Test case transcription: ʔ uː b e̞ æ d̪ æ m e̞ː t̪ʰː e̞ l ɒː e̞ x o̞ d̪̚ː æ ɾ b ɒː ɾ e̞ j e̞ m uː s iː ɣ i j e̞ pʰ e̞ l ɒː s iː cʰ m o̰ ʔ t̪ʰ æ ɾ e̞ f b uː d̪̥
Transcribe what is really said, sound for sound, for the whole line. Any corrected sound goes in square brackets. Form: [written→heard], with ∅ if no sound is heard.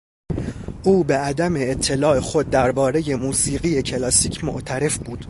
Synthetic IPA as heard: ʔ uː b e̞ æ d̪ æ m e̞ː t̪ʰː e̞ l ɒː e̞ x o̞ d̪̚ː æ ɾ b ɒː ɾ e̞ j e̞ m uː s iː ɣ i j e̞ [pʰ→cʰ] e̞ l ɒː s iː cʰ m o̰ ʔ t̪ʰ æ ɾ e̞ f b uː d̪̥